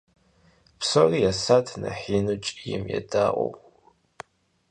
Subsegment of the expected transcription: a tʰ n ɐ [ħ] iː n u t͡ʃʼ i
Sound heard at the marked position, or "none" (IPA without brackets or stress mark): ħ